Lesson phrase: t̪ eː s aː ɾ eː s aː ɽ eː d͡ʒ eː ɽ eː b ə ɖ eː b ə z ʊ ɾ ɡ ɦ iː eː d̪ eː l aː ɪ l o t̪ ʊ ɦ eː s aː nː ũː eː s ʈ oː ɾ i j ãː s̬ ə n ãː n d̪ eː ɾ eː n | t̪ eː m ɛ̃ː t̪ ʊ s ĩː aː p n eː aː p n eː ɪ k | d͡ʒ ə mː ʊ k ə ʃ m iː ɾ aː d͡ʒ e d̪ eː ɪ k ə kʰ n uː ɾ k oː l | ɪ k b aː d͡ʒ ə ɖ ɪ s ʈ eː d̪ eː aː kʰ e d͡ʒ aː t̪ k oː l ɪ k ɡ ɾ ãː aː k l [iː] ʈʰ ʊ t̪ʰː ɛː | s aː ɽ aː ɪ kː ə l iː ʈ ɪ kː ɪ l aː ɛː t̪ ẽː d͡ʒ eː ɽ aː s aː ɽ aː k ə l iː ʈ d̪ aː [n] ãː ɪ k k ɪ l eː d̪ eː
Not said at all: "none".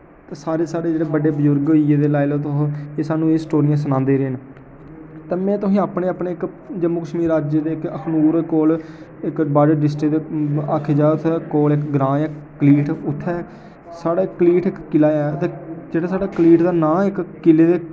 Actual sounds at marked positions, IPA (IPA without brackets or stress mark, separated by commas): iː, n